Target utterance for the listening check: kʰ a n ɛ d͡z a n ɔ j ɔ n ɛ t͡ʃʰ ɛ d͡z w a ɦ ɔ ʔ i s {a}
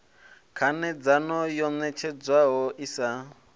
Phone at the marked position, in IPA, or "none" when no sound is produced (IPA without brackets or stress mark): a